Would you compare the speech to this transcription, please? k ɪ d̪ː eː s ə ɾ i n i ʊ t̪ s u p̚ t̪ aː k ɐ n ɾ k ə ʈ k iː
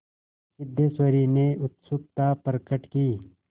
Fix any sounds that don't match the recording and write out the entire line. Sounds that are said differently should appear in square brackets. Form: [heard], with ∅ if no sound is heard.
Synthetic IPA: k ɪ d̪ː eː s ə ɾ i n [e] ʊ t̪ s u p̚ t̪ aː [p] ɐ [∅] ɾ k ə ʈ k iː